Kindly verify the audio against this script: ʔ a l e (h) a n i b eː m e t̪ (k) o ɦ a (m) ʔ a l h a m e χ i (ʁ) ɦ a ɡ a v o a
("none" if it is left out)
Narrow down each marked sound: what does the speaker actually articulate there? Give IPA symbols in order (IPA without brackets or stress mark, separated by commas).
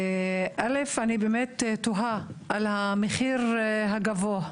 f, t, none, ʁ